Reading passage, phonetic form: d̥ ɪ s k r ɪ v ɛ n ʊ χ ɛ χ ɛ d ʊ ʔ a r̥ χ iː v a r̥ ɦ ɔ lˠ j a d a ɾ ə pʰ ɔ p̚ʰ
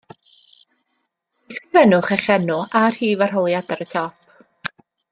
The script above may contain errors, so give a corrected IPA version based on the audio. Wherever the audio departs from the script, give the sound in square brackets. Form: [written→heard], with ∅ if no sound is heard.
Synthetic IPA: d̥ ɪ s k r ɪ v ɛ n ʊ χ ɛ χ ɛ [d→n] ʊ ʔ a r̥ [χ→h] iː v a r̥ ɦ ɔ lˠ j a d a ɾ ə [pʰ→tʰ] ɔ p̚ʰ

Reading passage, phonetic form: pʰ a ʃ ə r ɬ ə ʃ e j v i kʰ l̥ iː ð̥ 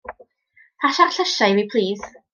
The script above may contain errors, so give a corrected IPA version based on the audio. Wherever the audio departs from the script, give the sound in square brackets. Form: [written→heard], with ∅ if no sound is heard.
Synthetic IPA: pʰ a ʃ [ə→a] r ɬ ə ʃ [e→a] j [v→w] i [kʰ→pʰ] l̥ iː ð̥

